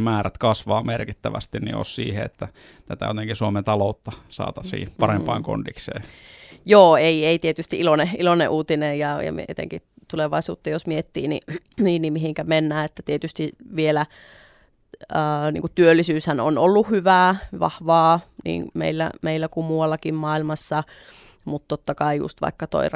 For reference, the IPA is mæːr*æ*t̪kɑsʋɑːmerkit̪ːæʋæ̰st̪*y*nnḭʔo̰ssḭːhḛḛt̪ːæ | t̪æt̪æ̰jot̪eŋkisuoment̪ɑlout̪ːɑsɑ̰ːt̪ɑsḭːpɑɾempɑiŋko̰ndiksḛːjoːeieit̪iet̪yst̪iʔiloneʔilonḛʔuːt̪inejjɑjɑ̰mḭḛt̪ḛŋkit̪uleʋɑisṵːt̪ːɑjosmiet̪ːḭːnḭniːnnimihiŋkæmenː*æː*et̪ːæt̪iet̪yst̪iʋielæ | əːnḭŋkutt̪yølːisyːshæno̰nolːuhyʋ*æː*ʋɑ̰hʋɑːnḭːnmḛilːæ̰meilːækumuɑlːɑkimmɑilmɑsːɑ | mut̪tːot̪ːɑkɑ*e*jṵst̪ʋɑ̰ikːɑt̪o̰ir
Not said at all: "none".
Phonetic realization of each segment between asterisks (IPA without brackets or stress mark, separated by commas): æ, i, æː, æː, i